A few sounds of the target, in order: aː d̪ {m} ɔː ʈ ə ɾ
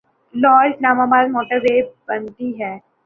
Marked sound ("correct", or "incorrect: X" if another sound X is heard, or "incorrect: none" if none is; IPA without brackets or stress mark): correct